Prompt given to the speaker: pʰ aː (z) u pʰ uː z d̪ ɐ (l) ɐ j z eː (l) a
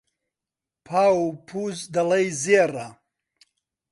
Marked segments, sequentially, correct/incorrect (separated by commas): incorrect, correct, incorrect